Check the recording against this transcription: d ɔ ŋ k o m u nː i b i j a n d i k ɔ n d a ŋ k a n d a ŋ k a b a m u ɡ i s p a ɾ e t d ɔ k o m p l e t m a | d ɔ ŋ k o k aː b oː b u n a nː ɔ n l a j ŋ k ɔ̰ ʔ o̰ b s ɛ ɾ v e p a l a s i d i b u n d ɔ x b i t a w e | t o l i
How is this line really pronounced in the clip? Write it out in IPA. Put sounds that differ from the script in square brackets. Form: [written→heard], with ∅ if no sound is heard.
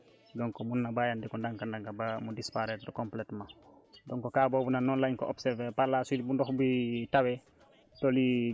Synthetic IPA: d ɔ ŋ k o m u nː [i→a] b [i→a] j a n d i k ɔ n d a ŋ k a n d a ŋ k a b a m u [ɡ→d] i s p a ɾ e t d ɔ k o m p l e t m a | d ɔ ŋ k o k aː b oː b u n a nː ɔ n l a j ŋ k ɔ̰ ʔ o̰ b s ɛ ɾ v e p a l a s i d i b u n d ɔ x b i t a w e | t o l i